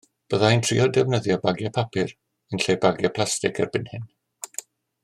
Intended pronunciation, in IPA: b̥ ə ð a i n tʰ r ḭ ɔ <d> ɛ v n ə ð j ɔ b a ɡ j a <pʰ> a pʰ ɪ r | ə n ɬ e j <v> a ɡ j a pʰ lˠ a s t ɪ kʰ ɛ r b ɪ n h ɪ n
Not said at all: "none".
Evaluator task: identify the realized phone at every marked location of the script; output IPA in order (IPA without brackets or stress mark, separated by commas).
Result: d, pʰ, b